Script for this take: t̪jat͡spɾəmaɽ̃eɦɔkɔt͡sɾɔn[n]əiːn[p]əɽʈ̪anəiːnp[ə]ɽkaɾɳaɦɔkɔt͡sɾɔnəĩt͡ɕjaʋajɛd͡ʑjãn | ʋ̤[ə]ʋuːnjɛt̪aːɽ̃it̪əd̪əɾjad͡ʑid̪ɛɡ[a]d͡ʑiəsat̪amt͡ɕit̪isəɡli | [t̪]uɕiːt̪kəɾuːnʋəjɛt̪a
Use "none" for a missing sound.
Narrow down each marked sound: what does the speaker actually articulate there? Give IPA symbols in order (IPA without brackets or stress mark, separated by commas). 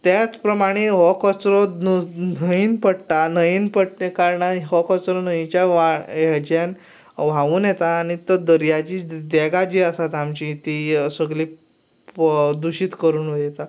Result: n, p, ə, a, a, d̪